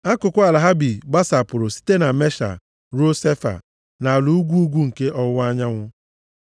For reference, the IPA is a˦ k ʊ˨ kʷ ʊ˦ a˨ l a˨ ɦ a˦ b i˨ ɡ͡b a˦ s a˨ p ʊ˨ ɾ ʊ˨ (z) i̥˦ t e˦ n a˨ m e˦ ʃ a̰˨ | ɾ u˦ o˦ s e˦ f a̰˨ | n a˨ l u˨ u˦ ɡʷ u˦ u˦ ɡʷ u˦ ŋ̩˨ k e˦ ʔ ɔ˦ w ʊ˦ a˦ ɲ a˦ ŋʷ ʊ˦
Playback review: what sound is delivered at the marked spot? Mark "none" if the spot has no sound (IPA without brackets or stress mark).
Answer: s